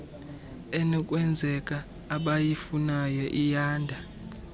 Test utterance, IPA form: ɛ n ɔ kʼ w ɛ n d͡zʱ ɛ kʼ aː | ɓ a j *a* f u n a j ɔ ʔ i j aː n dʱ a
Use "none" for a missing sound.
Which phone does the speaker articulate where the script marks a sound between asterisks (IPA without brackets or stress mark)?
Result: i